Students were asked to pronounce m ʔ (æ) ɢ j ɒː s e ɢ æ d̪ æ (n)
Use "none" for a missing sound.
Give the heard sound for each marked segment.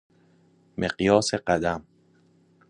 e, m

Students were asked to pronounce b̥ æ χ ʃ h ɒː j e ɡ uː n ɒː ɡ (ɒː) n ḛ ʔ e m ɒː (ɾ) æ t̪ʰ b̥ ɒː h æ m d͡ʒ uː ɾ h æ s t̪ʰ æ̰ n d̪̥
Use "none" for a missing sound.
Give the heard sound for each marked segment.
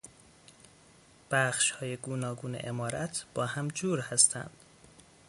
uː, ɾ

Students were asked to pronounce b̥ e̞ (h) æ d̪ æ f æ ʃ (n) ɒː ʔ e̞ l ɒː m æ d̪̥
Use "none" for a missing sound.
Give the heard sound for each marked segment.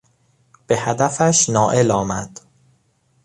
h, n

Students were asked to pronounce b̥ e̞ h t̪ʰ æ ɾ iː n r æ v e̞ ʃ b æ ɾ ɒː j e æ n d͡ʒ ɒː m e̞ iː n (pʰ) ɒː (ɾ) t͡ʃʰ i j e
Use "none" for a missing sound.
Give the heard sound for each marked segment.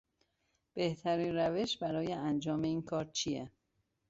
kʰ, ɾ

